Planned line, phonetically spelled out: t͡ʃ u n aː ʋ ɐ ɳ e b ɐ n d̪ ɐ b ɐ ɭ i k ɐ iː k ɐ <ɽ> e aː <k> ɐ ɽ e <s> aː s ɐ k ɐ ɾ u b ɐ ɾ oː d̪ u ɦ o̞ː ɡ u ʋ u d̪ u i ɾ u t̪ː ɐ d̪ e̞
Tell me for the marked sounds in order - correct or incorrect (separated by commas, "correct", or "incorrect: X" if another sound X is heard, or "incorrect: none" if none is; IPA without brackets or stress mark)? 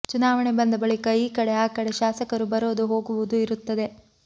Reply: correct, correct, incorrect: ʃ